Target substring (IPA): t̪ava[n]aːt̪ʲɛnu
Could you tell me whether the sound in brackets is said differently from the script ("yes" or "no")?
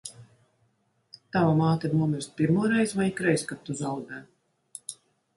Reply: yes